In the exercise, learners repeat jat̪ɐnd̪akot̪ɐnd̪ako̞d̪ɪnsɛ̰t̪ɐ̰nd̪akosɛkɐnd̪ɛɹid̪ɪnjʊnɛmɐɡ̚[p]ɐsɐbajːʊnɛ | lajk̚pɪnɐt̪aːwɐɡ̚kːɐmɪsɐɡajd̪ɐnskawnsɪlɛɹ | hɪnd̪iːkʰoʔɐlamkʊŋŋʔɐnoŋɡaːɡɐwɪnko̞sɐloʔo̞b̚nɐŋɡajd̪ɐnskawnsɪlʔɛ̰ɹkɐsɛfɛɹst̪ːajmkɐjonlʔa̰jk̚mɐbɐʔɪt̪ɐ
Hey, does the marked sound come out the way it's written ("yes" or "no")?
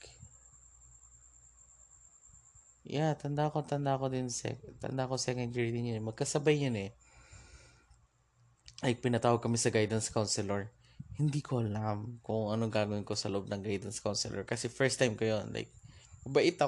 no